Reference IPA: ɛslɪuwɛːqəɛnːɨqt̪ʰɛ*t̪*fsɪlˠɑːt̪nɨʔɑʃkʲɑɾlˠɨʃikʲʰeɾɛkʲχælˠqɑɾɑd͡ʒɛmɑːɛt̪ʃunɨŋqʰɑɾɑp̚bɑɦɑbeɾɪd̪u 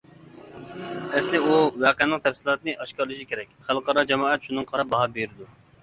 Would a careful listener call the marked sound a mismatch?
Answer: yes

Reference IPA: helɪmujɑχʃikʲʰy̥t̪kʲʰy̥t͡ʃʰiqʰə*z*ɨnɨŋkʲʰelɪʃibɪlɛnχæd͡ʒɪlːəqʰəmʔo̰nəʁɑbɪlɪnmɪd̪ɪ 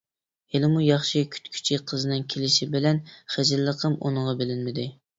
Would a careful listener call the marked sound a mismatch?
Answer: no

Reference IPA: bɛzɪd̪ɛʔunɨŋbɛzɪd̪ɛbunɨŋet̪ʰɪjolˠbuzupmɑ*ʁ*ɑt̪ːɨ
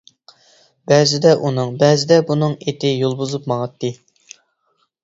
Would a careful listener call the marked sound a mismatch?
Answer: no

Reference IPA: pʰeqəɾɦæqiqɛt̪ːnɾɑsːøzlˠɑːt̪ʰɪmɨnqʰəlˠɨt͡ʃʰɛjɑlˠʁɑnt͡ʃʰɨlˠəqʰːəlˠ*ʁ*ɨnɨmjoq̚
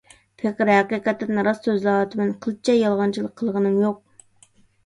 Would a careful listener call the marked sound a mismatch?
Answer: no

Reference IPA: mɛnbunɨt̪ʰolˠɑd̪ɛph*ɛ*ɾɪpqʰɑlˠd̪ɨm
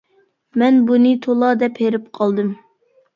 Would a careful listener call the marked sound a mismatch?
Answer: yes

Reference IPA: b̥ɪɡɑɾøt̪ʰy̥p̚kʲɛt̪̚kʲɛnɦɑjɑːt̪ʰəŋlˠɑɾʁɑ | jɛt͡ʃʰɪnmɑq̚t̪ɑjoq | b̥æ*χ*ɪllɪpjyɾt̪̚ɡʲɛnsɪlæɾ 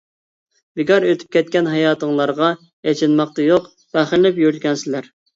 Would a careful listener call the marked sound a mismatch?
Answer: no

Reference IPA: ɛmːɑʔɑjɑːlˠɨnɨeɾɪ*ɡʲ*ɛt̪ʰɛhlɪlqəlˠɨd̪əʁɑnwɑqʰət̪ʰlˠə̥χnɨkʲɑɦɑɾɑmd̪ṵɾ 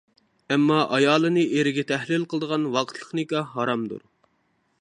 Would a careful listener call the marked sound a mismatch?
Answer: no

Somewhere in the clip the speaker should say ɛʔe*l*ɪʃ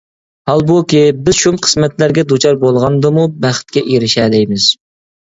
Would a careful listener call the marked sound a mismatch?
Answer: yes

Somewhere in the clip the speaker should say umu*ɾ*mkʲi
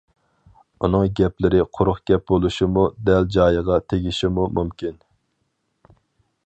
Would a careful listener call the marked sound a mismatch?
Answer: yes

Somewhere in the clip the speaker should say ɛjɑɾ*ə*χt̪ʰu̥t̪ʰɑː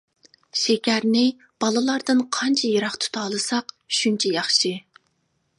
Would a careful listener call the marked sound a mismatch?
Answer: yes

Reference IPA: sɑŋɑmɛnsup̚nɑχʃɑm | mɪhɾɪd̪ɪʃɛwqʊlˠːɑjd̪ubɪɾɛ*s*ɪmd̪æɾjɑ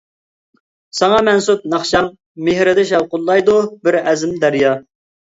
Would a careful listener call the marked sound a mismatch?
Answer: yes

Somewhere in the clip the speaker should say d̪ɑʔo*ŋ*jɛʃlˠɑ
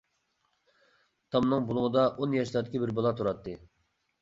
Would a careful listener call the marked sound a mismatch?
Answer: yes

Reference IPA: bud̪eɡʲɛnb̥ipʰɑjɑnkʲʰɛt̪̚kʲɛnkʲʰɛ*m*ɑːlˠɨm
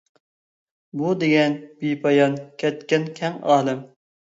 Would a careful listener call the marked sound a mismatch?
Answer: yes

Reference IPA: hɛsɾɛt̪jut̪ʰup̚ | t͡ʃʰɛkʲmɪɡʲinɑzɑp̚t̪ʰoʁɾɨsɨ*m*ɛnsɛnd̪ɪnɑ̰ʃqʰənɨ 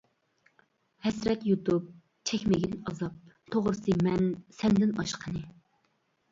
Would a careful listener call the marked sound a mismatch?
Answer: no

